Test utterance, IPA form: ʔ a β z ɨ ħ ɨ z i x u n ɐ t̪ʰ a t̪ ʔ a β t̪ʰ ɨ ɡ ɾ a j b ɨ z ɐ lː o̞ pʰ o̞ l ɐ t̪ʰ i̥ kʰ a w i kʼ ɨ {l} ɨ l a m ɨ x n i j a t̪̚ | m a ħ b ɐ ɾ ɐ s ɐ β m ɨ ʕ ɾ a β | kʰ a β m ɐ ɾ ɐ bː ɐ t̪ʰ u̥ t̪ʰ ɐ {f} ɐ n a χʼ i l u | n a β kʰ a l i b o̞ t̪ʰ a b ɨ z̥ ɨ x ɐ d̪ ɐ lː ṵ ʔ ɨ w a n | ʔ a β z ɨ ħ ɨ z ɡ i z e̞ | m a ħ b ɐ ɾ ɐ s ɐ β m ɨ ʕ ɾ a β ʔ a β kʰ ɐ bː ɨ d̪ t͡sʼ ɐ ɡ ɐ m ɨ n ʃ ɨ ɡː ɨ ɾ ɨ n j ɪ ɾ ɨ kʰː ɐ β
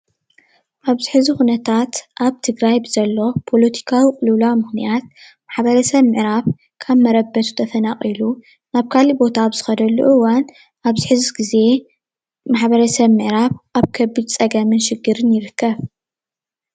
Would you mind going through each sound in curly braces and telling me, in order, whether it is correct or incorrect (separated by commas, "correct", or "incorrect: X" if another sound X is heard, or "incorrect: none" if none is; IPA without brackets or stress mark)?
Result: correct, correct